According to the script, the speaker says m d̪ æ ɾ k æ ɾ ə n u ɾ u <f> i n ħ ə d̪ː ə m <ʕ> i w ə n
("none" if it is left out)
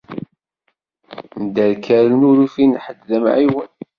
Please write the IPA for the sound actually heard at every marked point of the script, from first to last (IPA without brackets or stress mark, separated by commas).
f, ʕ